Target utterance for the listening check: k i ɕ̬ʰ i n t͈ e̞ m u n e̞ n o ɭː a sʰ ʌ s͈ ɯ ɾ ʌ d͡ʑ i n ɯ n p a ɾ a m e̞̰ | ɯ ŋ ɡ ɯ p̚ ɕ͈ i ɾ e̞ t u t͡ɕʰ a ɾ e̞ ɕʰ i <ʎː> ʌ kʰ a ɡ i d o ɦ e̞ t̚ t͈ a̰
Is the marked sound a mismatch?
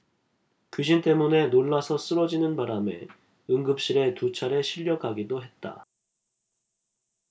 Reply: no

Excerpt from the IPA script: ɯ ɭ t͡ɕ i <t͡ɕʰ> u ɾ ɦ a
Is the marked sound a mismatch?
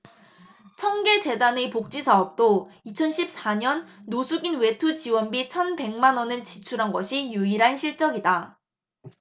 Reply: no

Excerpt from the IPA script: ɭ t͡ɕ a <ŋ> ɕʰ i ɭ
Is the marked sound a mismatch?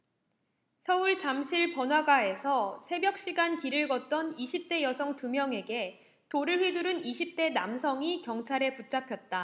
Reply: yes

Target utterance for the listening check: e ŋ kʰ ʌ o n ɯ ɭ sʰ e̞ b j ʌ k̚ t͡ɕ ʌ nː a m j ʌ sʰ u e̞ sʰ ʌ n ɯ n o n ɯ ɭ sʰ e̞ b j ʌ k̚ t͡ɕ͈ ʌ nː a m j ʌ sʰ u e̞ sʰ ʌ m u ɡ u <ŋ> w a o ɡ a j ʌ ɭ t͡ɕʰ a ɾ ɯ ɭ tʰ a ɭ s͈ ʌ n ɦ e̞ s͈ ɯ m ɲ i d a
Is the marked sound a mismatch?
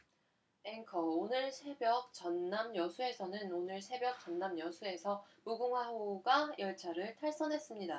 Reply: no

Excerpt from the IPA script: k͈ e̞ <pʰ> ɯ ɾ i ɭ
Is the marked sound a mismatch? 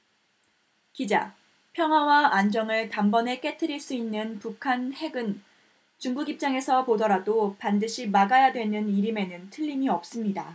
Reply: yes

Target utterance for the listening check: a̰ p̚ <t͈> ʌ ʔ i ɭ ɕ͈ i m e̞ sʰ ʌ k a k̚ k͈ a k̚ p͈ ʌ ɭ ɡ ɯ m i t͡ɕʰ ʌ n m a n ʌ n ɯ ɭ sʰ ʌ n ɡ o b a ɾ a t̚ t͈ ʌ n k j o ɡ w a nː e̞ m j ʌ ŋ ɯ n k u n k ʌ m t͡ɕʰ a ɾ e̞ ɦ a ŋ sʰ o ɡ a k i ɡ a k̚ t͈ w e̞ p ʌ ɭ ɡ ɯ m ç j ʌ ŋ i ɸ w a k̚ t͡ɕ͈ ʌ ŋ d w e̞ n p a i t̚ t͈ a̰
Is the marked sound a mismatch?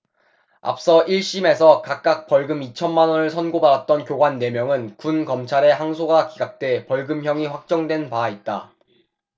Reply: yes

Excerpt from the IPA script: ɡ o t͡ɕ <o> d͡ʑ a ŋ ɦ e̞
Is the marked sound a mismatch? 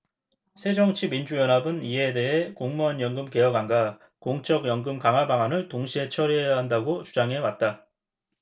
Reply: yes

